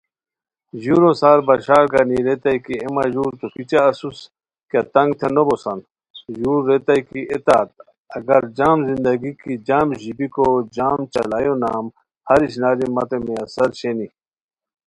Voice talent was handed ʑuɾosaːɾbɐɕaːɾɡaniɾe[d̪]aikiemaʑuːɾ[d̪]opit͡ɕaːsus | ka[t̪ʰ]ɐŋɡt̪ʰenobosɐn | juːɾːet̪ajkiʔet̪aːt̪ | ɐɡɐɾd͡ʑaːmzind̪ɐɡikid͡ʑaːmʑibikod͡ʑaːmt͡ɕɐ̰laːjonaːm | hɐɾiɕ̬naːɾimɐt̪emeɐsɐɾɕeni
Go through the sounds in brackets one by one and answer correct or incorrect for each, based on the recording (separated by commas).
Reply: incorrect, incorrect, incorrect